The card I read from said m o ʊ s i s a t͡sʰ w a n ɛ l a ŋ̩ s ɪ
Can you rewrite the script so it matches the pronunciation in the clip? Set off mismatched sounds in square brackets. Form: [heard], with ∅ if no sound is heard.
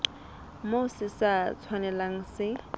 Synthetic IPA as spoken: m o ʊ s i s a t͡sʰ w a n ɛ l a ŋ̩ s ɪ